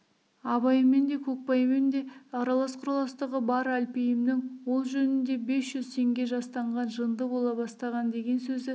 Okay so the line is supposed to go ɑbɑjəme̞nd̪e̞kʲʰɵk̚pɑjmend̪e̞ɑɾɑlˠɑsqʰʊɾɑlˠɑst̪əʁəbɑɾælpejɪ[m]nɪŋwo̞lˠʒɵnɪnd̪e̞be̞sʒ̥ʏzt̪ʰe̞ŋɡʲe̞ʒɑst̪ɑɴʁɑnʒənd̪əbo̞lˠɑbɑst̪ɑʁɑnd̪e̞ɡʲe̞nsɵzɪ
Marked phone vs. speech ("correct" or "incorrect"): correct